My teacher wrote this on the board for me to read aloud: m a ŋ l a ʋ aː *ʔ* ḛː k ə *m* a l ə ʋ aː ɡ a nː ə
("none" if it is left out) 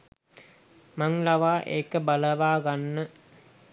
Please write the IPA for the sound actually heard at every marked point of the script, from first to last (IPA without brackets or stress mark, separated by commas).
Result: ʔ, b